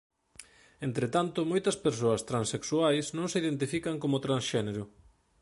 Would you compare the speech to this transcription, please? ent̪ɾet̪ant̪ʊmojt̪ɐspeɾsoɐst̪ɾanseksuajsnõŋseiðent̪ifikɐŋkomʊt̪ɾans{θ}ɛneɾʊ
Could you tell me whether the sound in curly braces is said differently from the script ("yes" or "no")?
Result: yes